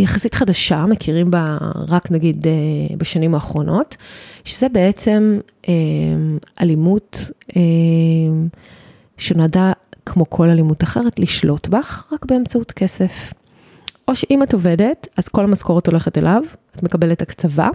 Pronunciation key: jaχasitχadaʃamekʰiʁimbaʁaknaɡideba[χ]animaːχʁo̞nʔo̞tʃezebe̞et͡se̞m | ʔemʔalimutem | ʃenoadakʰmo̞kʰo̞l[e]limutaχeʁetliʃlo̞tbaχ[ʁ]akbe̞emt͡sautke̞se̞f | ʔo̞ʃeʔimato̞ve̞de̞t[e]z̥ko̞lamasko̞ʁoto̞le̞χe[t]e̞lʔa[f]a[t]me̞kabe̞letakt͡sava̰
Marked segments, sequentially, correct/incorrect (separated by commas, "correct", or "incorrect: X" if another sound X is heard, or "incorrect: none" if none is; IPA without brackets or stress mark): incorrect: ʃ, incorrect: a, correct, incorrect: a, correct, incorrect: v, correct